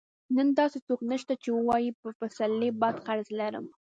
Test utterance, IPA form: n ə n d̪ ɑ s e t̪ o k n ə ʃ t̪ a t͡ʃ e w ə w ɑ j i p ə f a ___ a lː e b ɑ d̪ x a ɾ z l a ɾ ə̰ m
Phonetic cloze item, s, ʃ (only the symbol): s